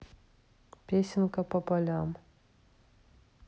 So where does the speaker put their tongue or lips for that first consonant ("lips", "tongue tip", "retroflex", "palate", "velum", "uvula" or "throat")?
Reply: lips